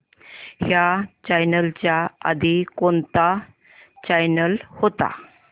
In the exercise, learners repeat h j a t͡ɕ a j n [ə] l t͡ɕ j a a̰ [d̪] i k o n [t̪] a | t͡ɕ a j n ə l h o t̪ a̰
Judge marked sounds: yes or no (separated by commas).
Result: yes, yes, yes